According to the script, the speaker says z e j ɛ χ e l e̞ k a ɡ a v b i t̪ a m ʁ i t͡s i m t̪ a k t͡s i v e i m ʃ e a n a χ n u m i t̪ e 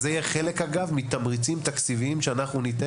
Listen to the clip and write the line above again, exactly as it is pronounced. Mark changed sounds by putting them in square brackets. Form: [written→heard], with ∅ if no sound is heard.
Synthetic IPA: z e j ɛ χ e l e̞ k a ɡ a v [b→m] i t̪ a m ʁ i t͡s i m t̪ a k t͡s i v [e→i] i m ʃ e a n a χ n u [m→n] i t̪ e